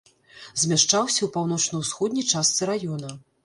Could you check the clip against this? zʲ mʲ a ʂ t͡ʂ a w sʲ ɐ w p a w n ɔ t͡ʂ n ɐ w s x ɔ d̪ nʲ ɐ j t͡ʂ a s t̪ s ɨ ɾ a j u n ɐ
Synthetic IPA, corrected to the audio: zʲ mʲ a ʂ t͡ʂ a w sʲ ɐ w p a w n ɔ t͡ʂ n ɐ w s x ɔ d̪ nʲ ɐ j t͡ʂ a s t̪ s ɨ ɾ a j ɔ n ɐ